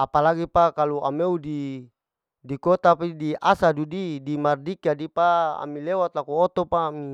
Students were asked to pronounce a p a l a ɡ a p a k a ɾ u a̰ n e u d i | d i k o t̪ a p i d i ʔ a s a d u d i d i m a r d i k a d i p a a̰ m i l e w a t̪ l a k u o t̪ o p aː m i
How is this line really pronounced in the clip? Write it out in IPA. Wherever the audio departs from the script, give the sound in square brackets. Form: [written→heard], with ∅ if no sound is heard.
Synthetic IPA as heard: a p a l a ɡ [a→i] p a k a [ɾ→l] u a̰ [n→m] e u d i | d i k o t̪ a p i d i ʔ a s a d u d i d i m a r d i k a d i p a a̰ m i l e w a t̪ l a k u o t̪ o p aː m i